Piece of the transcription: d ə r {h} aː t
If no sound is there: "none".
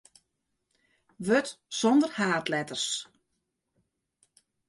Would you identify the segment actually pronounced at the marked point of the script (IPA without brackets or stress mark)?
h